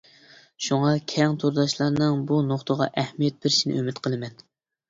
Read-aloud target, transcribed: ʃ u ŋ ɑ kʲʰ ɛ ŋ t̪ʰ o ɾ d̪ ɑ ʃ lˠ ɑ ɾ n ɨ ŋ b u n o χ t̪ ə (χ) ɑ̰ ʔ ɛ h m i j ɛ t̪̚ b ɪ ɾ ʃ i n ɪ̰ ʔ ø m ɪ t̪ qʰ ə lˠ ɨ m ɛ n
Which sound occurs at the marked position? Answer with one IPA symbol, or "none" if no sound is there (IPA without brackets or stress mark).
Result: ʁ